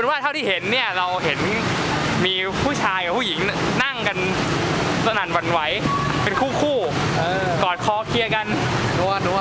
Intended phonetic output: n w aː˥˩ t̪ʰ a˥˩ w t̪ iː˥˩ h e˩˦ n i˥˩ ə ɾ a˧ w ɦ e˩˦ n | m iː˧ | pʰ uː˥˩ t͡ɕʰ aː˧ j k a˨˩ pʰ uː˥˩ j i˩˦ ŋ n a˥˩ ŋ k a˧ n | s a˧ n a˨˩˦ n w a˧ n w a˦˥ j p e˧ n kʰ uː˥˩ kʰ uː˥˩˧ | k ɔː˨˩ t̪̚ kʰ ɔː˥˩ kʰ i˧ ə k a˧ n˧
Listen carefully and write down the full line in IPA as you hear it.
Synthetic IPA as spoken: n w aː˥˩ t̪ʰ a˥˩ w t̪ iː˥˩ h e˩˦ nː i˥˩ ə ɾ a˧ w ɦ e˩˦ n | m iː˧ | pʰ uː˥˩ t͡ɕʰ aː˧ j k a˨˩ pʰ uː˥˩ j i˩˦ ŋ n a˥˩ ŋ k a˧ n | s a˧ n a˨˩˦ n w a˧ n w a˦˥ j p e˧ n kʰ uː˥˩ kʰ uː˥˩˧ | k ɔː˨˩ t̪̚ kʰ ɔː˧ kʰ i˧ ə k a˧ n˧